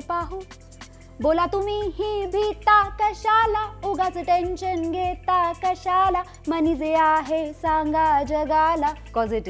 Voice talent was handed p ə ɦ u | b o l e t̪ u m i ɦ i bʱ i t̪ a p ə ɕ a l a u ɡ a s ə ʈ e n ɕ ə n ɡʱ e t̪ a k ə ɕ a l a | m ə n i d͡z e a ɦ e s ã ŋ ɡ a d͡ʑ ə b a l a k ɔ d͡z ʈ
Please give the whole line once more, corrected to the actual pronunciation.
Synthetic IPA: p a ɦ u | b o l a t̪ u m i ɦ i bʱ i t̪ a k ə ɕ a l a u ɡ a t͡s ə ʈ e n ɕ ə n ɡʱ e t̪ a k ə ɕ a l a | m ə n i d͡z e a ɦ e s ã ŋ ɡ a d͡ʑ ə ɡ a l a k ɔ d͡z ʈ